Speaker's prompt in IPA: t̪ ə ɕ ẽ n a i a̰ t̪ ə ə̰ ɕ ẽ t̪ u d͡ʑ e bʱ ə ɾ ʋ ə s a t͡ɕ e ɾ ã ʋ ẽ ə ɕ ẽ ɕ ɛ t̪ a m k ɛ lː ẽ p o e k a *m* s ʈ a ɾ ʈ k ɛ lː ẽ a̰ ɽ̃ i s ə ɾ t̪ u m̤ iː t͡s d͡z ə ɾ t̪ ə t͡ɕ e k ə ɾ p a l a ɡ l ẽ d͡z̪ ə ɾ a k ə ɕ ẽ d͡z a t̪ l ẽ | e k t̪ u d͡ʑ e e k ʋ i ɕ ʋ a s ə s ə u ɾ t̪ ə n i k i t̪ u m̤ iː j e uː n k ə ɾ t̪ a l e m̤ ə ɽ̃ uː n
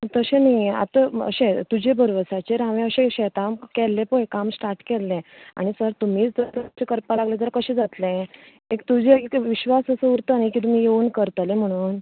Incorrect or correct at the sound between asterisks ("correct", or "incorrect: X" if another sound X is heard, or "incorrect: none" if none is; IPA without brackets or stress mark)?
correct